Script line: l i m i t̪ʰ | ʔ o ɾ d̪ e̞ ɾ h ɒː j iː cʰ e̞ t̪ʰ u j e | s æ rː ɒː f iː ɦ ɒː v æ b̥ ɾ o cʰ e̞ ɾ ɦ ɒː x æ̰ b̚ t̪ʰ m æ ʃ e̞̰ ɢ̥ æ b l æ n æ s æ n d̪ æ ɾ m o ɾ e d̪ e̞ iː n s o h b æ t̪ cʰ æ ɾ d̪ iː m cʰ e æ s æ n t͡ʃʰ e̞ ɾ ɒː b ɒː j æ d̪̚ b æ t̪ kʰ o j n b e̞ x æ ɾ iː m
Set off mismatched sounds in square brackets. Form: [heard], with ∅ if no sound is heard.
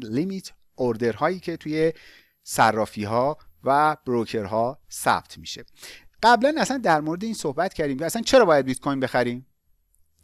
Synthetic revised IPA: l i m i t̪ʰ | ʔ o ɾ d̪ e̞ ɾ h ɒː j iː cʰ e̞ t̪ʰ u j e | s æ rː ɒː f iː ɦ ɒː v æ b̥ ɾ o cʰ e̞ ɾ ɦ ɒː [s] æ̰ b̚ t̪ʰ m [i] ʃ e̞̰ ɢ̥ æ b l æ n æ s æ n d̪ æ ɾ m o ɾ e d̪ e̞ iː n s o h b æ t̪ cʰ æ ɾ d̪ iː m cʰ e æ s æ n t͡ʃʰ e̞ ɾ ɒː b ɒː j æ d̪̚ b [i] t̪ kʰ o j n b e̞ x æ ɾ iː m